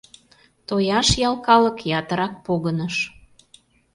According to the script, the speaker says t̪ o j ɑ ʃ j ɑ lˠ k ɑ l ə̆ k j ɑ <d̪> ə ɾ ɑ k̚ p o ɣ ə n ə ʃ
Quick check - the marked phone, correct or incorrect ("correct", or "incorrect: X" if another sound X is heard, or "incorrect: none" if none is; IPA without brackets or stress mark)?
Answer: incorrect: t̪